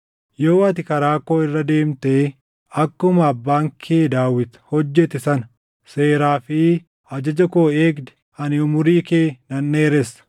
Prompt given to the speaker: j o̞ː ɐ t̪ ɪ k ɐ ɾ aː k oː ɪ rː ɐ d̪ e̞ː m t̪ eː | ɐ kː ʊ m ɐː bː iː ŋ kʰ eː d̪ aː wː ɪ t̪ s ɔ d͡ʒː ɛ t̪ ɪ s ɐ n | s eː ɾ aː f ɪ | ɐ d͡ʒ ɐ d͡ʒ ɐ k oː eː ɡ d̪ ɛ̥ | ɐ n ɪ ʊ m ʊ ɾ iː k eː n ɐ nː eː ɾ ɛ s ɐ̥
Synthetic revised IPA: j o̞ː ɐ t̪ ɪ k ɐ ɾ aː k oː ɪ rː ɐ d̪ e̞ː m t̪ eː | ɐ kː ʊ m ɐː bː aː ŋ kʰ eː d̪ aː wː ɪ t̪ h ɔ d͡ʒː ɛ t̪ ɪ s ɐ n | s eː ɾ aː f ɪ | ɐ d͡ʒ ɐ d͡ʒ ɐ k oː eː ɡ d̪ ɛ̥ | ɐ n ɪ ʊ m ʊ ɾ iː k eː n ɐ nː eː ɾ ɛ s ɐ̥